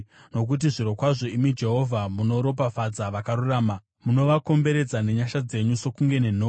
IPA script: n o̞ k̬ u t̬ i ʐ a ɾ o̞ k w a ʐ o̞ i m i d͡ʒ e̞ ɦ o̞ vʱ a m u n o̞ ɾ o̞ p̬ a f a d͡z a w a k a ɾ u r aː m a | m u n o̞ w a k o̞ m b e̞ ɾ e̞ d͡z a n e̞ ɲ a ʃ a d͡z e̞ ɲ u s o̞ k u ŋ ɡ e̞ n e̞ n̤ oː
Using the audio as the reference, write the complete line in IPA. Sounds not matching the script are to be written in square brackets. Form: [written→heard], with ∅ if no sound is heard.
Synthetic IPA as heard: n o̞ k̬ u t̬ i ʐ [a→i] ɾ o̞ k w a ʐ o̞ i m i d͡ʒ e̞ ɦ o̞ vʱ a m u n o̞ ɾ o̞ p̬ a f a d͡z a [w→ʋ] a k a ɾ u r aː m a | m u n o̞ [w→ʋ] a k o̞ m b e̞ ɾ e̞ d͡z a n e̞ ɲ a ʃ a d͡z e̞ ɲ u s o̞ k u ŋ ɡ e̞ n e̞ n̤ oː